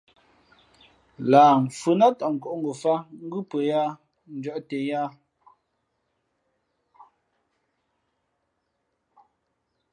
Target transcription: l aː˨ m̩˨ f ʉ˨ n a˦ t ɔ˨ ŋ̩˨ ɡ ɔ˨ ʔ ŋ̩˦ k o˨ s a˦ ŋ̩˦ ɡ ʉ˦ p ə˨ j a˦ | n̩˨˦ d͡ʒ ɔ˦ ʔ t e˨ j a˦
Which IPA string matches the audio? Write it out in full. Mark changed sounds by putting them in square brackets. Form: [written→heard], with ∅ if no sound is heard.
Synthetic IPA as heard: l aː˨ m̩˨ f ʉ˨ n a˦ t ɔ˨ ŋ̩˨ [ɡ→k] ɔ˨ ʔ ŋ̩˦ [k→ɡ] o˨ [s→f] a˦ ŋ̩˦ ɡ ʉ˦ p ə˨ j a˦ | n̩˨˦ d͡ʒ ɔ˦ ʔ t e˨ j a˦